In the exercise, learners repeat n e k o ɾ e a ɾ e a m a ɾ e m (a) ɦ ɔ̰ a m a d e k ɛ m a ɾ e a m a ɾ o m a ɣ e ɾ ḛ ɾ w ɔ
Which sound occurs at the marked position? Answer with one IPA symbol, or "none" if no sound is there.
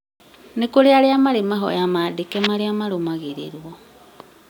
a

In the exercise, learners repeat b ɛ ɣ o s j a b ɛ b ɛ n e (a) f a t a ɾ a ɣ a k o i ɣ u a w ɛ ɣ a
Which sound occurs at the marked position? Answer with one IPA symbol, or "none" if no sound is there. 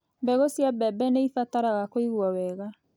i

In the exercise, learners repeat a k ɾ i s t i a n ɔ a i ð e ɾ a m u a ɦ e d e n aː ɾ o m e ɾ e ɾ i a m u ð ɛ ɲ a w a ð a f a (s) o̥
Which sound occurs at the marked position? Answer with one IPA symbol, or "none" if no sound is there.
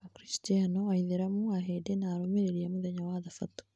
t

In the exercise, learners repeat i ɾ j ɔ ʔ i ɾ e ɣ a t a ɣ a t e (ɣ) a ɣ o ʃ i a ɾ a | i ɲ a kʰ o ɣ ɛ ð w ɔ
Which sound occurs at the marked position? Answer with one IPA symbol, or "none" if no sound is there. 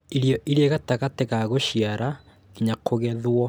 ɣ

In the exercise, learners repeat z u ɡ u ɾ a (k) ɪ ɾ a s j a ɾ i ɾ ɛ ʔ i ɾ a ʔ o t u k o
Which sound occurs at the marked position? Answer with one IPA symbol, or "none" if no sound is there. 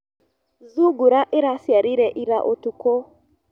ʔ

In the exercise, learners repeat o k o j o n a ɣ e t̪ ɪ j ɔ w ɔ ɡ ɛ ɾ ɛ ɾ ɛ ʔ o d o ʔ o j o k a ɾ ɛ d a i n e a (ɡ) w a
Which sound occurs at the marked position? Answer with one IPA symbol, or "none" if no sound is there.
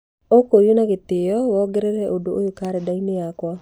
k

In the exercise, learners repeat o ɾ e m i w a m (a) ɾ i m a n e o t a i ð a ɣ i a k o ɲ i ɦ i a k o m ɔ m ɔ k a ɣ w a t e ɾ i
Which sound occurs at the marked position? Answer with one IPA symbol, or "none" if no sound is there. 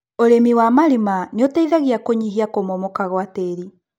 a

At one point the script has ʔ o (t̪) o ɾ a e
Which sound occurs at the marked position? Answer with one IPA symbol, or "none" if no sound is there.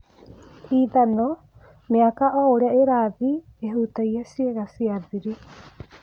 none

